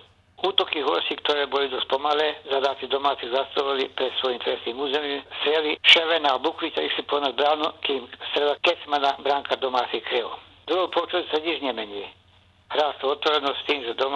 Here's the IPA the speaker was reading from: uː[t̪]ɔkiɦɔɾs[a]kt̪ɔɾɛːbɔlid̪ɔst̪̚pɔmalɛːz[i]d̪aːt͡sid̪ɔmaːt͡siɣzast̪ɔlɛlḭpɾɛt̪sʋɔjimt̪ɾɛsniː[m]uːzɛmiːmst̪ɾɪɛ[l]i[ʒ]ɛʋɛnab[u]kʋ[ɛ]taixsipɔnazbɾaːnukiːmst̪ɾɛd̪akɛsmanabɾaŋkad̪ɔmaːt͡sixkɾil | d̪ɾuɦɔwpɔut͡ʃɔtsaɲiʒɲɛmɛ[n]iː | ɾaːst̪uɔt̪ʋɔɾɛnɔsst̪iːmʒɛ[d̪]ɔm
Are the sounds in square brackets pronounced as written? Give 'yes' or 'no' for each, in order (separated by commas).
yes, no, no, yes, yes, no, yes, no, no, yes